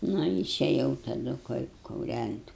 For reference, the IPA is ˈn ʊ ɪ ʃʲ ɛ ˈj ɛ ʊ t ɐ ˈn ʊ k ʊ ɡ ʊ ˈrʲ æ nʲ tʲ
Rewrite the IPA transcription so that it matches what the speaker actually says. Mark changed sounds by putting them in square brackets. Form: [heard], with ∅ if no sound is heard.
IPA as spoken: ˈn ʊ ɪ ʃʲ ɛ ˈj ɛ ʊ t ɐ [ˈd] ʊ k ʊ [k] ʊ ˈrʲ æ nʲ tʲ